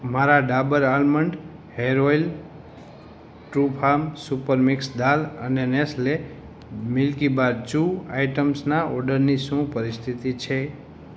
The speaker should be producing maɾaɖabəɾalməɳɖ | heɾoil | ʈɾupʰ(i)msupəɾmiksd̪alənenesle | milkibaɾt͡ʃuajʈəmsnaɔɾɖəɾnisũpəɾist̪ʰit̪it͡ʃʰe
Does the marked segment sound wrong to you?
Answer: yes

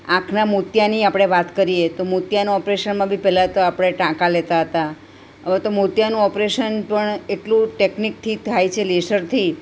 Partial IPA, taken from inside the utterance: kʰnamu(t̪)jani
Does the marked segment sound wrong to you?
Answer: no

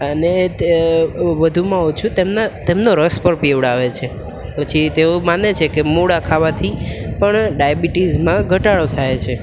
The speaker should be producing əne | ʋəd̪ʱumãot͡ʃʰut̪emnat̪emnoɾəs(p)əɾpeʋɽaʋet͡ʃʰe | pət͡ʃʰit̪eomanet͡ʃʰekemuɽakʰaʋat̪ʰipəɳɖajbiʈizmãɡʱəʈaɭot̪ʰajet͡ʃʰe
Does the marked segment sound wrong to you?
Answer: no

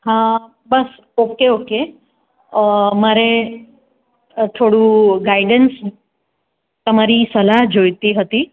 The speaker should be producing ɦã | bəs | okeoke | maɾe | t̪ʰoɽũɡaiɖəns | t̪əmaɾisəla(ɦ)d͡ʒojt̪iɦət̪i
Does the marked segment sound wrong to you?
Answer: no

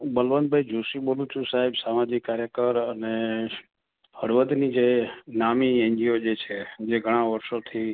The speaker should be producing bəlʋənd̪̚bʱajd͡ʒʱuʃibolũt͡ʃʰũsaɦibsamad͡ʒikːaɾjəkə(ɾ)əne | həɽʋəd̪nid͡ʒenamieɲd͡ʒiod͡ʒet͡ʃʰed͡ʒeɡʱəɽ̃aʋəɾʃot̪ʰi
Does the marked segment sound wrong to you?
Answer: no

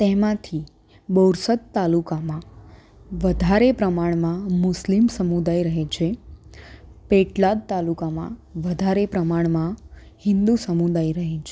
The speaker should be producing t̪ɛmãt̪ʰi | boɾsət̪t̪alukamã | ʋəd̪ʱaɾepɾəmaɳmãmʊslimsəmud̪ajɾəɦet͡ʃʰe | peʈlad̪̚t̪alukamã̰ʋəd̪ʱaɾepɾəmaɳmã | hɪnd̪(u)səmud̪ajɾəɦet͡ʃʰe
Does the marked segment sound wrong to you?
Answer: no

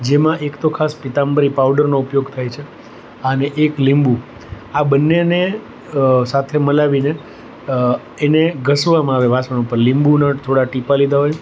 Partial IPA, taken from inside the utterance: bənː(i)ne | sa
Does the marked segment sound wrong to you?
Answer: yes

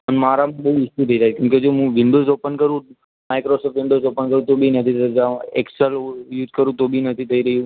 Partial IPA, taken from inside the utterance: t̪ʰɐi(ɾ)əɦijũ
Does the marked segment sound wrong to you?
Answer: no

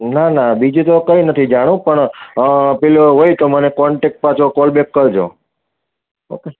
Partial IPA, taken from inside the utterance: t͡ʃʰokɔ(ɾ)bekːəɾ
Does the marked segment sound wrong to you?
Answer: yes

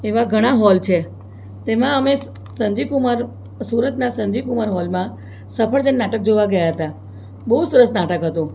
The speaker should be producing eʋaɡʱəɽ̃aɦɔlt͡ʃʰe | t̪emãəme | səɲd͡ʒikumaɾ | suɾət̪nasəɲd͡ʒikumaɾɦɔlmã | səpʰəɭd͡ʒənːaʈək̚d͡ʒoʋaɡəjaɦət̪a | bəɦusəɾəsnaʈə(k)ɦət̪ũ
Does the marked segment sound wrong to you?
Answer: no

